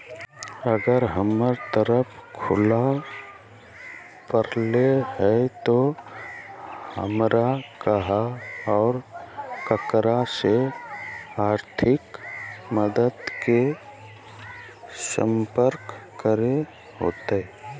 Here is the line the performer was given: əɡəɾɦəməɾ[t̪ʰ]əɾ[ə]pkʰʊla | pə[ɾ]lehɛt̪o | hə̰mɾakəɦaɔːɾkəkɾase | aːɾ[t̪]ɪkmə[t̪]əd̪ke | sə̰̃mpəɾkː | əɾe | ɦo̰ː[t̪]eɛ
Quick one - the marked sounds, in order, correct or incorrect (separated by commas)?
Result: incorrect, correct, correct, incorrect, incorrect, correct